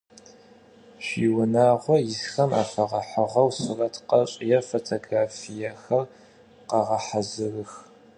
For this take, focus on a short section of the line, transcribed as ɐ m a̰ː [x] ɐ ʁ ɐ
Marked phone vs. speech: incorrect: f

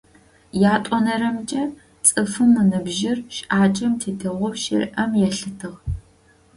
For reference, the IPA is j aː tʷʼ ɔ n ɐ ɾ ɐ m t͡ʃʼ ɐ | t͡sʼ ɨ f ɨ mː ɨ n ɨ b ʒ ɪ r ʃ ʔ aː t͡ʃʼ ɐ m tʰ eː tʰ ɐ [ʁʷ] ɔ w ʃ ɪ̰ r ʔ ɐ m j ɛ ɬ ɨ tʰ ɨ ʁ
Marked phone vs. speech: correct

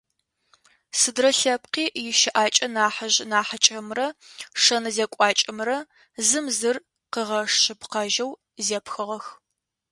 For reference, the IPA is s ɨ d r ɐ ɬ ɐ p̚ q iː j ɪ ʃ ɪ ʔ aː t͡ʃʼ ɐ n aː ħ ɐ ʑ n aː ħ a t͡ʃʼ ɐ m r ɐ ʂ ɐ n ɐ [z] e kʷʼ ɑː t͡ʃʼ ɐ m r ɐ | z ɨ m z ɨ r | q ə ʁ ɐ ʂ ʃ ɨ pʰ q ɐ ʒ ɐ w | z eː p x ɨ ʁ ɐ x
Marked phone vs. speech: correct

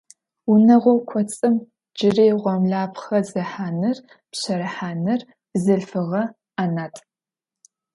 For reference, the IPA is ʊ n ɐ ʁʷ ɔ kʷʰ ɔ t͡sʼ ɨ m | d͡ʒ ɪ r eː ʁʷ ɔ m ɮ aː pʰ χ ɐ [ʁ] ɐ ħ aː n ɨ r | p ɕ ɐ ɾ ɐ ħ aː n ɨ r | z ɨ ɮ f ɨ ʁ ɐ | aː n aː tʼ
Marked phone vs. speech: incorrect: z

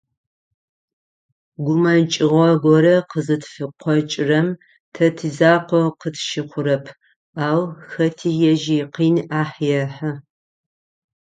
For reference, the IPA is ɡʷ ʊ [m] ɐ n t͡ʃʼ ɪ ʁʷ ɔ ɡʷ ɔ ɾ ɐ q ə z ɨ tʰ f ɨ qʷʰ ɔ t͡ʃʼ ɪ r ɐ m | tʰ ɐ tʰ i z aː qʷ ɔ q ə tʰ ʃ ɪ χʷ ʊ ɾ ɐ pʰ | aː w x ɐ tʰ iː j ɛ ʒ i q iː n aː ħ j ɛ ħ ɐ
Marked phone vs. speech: correct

